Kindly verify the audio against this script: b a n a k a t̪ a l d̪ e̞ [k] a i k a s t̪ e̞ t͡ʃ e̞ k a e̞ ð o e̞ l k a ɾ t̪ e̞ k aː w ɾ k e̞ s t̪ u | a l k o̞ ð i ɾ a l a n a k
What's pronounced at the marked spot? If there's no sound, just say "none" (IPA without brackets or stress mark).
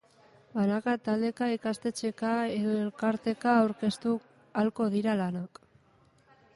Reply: k